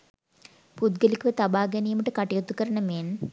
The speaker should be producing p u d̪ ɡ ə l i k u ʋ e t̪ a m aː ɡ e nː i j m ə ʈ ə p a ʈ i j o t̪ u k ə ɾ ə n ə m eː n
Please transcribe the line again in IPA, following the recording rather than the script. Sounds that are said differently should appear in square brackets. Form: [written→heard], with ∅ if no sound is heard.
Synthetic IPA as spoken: p u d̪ ɡ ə l i k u ʋ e t̪ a [m→b] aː ɡ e [nː→n] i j m ə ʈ ə [p→k] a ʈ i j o t̪ u k ə ɾ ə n ə m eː n